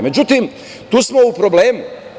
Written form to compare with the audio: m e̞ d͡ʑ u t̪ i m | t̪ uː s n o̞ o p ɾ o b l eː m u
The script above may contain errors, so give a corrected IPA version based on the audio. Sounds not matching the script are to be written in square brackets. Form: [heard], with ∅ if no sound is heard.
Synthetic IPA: m e̞ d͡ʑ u t̪ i m | t̪ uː s [m] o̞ [u] p ɾ o b l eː m u

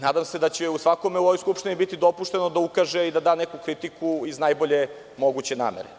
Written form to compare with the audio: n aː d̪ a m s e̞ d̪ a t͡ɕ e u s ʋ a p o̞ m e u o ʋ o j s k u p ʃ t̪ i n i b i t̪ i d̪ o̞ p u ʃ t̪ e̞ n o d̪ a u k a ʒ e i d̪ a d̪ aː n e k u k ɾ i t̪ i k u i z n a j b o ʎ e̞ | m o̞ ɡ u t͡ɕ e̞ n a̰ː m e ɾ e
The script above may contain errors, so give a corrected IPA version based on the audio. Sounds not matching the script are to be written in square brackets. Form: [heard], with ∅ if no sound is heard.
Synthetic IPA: n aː d̪ a m s e̞ d̪ a t͡ɕ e u s ʋ a [k] o̞ m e u o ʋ o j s k u p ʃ t̪ i n i b i t̪ i d̪ o̞ p u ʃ t̪ e̞ n o d̪ a u k a ʒ e i d̪ a d̪ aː n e k u k ɾ i t̪ i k u i z n a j b o ʎ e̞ | m o̞ ɡ u t͡ɕ e̞ n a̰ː m e ɾ e

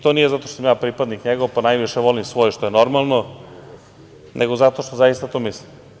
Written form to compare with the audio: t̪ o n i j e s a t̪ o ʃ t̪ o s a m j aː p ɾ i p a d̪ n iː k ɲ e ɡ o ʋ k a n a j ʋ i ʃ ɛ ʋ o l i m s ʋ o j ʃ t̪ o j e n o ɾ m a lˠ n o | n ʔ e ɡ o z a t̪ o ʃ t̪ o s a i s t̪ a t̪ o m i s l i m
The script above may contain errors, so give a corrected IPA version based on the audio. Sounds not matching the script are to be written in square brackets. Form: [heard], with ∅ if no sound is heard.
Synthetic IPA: t̪ o n i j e [z] a t̪ o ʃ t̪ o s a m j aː p ɾ i p a d̪ n [i] k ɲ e ɡ o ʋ [p] a n a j ʋ i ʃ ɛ ʋ o l i m s ʋ o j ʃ t̪ o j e n o ɾ m a lˠ n o | n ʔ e ɡ o z a t̪ o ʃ t̪ o [z] a i s t̪ a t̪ o m i s l i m

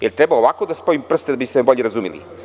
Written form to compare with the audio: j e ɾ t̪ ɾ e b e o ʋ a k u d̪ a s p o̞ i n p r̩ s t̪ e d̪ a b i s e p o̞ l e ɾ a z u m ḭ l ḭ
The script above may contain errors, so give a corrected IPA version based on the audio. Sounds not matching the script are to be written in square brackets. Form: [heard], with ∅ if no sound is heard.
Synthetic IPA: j e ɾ t̪ ɾ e b [a] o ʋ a k [o] d̪ a s p o̞ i [m] p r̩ s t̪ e d̪ a b i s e [b] o̞ [ʎ] e ɾ a z u m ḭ l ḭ

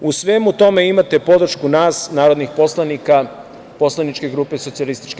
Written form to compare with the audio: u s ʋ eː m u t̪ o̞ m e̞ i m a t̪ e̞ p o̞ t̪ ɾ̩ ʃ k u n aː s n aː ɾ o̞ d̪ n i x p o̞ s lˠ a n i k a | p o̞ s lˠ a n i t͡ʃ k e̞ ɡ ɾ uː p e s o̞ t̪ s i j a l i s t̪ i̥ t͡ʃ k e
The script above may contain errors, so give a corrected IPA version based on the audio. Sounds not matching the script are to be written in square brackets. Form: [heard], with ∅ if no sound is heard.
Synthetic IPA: u s ʋ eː m u t̪ o̞ m e̞ i m a t̪ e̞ p o̞ [d̪] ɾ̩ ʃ k u n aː s n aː ɾ o̞ d̪ n i x p o̞ s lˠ a n i k a | p o̞ s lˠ a n i t͡ʃ k e̞ ɡ ɾ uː p e s o̞ t̪ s i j a l i s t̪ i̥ t͡ʃ k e

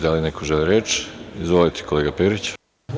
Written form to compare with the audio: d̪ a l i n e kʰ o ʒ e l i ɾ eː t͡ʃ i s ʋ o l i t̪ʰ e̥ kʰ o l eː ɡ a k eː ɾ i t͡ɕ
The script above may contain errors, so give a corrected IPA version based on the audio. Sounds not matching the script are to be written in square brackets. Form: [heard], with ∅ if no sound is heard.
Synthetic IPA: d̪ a l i n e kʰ o ʒ e l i ɾ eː t͡ʃ i [z] ʋ o l i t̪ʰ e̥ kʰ o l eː ɡ a [p] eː ɾ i t͡ɕ

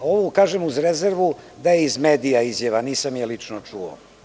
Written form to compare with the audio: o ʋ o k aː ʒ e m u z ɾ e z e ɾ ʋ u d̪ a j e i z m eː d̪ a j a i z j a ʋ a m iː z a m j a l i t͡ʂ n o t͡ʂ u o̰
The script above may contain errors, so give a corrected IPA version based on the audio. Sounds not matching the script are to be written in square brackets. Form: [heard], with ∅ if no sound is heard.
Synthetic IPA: o ʋ o k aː ʒ e m u z ɾ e z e ɾ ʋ u d̪ a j e i z m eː d̪ [i] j a i z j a ʋ a [n] iː [s] a m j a l i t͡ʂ n o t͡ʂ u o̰

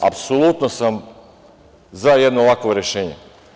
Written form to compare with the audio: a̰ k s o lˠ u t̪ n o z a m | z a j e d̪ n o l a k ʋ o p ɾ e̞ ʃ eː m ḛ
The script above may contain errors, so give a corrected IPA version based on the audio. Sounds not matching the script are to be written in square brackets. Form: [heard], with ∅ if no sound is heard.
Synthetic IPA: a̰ [p] s o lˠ u t̪ n o [s] a m | z a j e d̪ n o l a k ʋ o [∅] ɾ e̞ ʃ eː [ɲ] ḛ

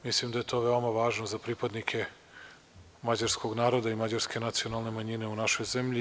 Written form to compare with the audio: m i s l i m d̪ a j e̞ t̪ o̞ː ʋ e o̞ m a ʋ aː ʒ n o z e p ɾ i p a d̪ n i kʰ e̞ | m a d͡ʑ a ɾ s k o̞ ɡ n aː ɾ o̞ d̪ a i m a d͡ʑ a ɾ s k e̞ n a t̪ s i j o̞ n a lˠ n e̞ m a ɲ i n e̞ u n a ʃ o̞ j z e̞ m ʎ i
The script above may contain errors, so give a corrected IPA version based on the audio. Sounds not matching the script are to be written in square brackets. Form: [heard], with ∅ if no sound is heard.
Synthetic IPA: m i s l i m d̪ a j e̞ t̪ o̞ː ʋ e o̞ m a ʋ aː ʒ n o z [a] p ɾ i p a d̪ n i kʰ e̞ | m a d͡ʑ a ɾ s k o̞ ɡ n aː ɾ o̞ d̪ a i m a d͡ʑ a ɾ s k e̞ n a t̪ s i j o̞ n a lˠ n e̞ m a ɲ i n e̞ u n a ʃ o̞ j z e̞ m ʎ i

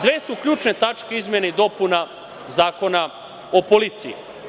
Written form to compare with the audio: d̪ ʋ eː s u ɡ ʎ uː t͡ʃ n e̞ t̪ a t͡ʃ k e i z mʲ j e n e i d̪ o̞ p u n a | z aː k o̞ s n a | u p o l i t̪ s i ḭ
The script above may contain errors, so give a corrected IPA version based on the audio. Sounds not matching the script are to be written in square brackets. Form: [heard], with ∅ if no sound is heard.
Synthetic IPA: d̪ ʋ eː s u [k] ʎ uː t͡ʃ n e̞ t̪ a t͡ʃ k e i z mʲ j e n e i d̪ o̞ p u n a | z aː k o̞ [∅] n a | [o] p o l i t̪ s i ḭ

